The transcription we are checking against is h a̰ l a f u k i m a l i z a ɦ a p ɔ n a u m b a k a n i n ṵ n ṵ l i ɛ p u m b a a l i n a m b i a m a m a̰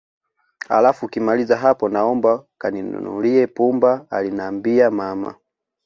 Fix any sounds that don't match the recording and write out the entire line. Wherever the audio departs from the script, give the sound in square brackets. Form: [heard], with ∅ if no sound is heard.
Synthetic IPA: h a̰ l a f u k i m a l i z a ɦ a p ɔ n a [ɔ] m b a k a n i n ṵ n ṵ l i ɛ p u m b a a l i n a m b i a m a m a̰